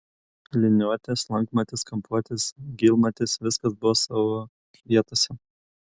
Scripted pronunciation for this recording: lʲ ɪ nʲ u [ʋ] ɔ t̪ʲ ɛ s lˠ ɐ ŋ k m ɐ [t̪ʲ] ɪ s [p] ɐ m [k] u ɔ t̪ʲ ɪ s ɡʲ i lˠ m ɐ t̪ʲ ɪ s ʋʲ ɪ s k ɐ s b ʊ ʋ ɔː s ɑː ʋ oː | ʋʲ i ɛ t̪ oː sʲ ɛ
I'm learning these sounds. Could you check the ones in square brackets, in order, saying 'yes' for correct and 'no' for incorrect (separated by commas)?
no, yes, no, no